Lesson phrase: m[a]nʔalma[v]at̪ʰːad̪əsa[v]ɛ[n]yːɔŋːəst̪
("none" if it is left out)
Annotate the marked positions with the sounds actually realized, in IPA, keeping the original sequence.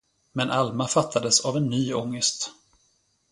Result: ɛ, f, v, nː

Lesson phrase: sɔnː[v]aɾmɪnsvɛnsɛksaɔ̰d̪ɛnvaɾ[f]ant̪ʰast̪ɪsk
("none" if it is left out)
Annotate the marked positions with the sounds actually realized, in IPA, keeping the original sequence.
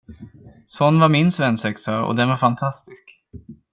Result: v, f

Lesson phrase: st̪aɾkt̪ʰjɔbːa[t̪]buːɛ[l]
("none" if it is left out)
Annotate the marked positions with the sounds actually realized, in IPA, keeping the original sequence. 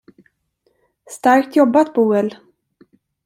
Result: t̪, l

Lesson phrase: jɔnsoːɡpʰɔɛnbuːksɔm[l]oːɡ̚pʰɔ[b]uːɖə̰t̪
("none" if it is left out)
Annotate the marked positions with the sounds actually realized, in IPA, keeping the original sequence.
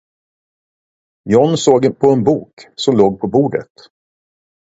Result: l, b

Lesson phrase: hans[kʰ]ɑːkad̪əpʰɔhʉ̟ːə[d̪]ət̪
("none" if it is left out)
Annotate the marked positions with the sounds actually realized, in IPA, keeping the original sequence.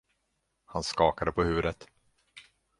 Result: k, d̪

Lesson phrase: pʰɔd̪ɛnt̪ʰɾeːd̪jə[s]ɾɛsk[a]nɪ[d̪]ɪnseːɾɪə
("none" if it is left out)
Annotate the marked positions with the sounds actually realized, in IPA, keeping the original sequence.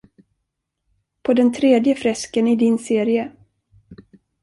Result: f, ə, d̪

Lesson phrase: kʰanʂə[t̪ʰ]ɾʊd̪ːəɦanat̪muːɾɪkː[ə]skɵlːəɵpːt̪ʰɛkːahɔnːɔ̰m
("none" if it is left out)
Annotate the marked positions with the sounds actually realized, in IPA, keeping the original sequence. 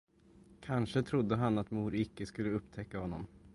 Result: t̪ʰ, ə

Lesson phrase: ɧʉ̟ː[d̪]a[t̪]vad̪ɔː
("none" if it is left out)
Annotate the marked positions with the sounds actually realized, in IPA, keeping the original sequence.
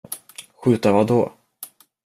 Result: t̪, none

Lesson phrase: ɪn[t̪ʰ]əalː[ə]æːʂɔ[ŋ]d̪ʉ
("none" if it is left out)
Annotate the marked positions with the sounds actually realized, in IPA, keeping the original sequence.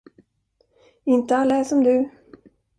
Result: t̪, a, m

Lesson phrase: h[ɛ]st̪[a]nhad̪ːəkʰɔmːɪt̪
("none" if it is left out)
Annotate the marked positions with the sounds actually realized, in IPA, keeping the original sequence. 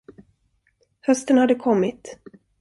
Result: œ, ə

